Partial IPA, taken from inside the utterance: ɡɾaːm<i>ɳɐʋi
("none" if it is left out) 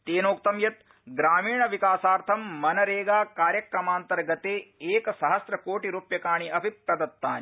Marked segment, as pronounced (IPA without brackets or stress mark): iː